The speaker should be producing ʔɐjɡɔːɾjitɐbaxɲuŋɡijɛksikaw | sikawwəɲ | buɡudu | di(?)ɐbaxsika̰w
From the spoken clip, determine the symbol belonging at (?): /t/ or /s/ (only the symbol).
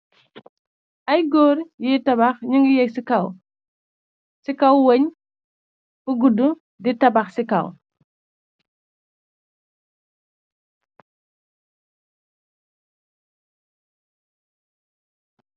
t